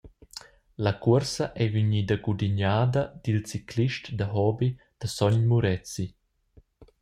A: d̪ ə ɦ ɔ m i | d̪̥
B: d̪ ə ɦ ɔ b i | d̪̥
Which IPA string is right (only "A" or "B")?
B